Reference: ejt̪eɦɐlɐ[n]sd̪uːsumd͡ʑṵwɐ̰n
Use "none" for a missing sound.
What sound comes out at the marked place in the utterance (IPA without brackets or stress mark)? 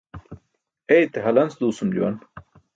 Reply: n